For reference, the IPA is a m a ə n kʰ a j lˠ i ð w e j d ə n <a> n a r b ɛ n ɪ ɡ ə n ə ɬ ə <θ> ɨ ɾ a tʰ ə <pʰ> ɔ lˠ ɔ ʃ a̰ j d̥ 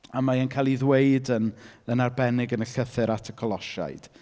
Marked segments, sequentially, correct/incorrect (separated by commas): incorrect, correct, incorrect